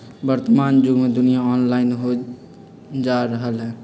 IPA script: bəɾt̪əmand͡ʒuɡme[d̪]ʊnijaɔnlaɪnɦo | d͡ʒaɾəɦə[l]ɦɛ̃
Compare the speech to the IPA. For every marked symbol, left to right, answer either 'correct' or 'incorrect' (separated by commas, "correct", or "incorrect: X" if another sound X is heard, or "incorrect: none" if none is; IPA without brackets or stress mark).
correct, correct